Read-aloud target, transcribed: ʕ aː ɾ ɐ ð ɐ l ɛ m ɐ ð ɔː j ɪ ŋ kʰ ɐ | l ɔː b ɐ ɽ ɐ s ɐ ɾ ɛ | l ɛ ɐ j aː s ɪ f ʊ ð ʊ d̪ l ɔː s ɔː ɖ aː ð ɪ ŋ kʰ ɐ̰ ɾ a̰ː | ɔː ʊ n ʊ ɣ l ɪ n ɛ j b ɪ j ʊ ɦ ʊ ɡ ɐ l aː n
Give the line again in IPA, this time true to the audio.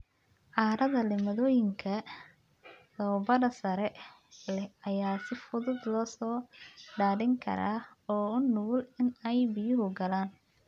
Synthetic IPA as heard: ʕ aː ɾ ɐ ð ɐ l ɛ m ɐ ð ɔː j ɪ ŋ kʰ ɐ | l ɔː b ɐ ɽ ɐ s ɐ ɾ ɛ | l ɛ ɐ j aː s ɪ f ʊ ð ʊ d̪ l ɔː s ɔː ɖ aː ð ɪ ŋ kʰ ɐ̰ ɾ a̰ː | ɔː ʊ n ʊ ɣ l ɪ n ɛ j b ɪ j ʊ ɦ ʊ ɡ ɐ l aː n

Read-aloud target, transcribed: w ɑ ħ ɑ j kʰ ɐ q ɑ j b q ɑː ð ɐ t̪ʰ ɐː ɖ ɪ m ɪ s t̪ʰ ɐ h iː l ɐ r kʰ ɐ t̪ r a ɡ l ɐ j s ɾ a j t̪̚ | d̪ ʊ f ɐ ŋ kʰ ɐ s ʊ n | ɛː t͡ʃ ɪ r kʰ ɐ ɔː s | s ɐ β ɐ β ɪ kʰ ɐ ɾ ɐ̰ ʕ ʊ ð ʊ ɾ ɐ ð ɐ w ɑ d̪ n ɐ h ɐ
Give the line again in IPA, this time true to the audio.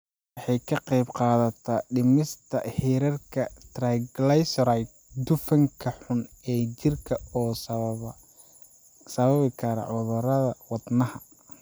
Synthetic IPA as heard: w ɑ ħ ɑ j kʰ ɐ q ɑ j b q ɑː ð ɐ t̪ʰ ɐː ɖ ɪ m ɪ s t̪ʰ ɐ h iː ɾ ɐ r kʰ ɐ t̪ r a ɡ l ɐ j s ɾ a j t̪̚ | d̪ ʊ f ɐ ŋ kʰ ɐ ħ ʊ n | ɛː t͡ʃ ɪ r kʰ ɐ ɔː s | s ɐ β ɐ β ɪ kʰ ɐ ɾ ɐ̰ ʕ ʊ ð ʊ ɾ ɐ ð ɐ w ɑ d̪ n ɐ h ɐ

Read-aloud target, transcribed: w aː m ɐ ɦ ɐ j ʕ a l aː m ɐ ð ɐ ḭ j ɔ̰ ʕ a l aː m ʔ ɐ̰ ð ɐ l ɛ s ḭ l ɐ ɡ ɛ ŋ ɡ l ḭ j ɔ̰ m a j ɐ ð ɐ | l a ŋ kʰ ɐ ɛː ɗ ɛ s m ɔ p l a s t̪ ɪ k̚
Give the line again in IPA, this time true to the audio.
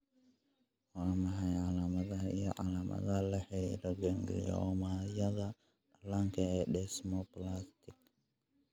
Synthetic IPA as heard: w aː m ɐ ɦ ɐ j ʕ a l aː m ɐ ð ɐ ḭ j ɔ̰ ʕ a l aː m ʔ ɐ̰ ð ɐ l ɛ ħ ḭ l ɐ ɡ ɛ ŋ ɡ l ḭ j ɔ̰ m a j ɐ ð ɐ | l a ŋ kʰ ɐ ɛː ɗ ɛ s m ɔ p l a s t̪ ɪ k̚

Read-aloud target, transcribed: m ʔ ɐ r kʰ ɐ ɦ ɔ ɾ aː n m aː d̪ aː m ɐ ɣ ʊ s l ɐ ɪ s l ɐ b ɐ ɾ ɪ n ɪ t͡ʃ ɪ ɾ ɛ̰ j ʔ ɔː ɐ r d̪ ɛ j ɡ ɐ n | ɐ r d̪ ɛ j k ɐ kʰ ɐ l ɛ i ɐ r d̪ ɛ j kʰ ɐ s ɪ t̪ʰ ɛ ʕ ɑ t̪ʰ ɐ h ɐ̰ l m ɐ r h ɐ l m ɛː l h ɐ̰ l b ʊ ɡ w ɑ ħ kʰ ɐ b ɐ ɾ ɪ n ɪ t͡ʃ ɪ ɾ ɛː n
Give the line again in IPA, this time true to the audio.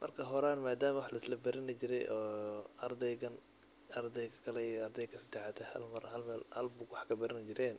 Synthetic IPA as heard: m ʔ ɐ r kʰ ɐ ɦ ɔ ɾ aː n m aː d̪ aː m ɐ w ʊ ħ l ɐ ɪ s l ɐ b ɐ ɾ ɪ n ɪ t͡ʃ ɪ ɾ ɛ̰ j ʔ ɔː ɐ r d̪ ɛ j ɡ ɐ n | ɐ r d̪ ɛ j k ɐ kʰ ɐ l ɛ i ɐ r d̪ ɛ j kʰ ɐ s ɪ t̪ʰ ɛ ʕ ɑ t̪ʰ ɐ h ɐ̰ l m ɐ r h ɐ l m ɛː l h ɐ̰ l b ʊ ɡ w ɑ ħ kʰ ɐ b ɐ ɾ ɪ n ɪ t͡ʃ ɪ ɾ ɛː n

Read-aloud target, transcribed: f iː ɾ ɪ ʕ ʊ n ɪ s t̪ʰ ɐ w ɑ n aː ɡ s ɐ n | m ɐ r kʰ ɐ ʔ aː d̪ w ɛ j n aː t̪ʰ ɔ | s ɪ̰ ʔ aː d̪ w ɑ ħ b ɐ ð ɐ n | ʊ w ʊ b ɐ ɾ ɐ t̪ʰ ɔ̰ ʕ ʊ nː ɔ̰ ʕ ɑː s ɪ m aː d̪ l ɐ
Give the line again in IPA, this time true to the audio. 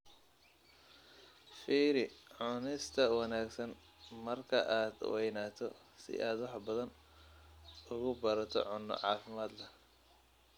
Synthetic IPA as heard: f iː ɾ ɪ ʕ ʊ n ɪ s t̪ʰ ɐ w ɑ n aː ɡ s ɐ n | m ɐ r kʰ ɐ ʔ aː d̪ w ɛ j n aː t̪ʰ ɔ | s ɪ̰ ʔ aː d̪ w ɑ ħ b ɐ ð ɐ n | ʊ ɣ ʊ b ɐ ɾ ɐ t̪ʰ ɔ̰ ʕ ʊ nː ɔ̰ ʕ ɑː f ɪ m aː d̪ l ɐ

